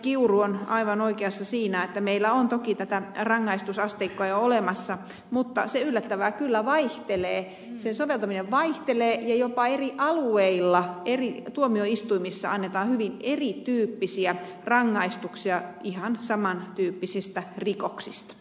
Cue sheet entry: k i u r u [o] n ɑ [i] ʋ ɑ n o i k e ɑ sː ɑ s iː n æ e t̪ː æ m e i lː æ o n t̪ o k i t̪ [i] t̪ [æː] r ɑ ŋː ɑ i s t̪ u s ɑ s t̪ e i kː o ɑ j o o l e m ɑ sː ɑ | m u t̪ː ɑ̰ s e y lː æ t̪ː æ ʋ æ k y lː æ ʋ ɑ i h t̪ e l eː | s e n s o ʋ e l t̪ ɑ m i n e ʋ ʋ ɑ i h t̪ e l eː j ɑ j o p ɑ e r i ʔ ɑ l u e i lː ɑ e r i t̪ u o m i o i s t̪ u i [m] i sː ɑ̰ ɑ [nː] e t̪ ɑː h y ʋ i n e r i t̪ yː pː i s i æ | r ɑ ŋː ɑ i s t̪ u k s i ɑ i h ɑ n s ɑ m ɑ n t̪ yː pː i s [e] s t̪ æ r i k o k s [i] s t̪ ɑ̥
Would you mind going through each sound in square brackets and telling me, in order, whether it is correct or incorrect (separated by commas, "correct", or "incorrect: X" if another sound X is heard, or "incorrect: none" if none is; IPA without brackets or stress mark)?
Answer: correct, correct, incorrect: æ, incorrect: æ, correct, correct, incorrect: i, correct